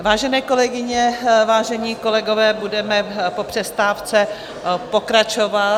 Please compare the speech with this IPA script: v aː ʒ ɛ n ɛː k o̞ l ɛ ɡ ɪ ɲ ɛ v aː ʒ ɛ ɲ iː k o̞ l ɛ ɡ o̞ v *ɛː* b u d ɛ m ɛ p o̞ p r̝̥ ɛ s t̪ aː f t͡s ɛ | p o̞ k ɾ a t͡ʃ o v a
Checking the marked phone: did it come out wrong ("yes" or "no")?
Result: no